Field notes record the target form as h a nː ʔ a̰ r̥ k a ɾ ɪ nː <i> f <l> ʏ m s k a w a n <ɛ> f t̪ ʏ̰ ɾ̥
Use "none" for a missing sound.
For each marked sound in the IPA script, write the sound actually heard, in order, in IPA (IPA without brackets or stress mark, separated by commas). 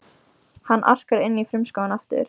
i, ɾ, a